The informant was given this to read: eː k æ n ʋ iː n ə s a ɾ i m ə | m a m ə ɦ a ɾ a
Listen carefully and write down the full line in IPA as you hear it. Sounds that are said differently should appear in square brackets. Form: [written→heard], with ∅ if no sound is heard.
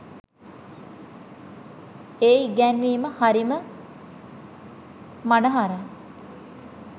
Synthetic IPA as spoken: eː [k→ɡ] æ n ʋ iː [n→m] ə [s→h] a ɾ i m ə | m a [m→n] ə ɦ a ɾ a